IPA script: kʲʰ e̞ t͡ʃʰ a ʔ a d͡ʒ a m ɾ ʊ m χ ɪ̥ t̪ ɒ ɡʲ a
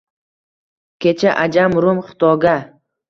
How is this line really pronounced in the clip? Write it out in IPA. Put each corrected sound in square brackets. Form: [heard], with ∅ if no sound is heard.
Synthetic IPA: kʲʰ e̞ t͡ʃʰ a ʔ a d͡ʒ a m ɾ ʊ m χ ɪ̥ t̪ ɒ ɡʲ a